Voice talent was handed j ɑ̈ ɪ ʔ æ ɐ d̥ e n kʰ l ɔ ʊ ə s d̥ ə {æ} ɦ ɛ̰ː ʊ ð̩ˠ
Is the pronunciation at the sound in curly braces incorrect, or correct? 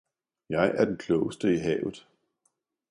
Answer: incorrect